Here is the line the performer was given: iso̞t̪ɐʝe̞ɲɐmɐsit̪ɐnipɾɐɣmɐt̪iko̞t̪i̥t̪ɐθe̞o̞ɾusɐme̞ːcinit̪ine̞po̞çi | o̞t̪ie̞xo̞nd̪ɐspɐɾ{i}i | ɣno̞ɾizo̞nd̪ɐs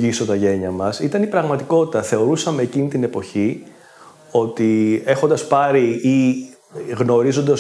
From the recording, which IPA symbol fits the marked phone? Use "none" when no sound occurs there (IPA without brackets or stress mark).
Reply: i